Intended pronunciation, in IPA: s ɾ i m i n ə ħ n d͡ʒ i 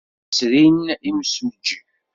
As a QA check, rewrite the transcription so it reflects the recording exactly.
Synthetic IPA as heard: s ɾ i n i m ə s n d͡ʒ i